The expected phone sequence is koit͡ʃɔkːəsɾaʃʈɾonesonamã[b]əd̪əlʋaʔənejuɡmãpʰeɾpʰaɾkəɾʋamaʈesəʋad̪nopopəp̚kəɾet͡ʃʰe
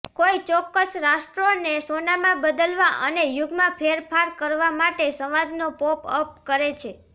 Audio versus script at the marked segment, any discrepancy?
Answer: no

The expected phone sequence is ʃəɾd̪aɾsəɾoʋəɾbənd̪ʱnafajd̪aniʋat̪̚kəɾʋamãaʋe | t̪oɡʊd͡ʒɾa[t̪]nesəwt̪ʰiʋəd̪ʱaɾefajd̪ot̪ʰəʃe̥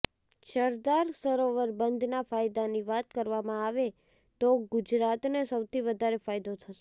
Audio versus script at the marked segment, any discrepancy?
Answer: no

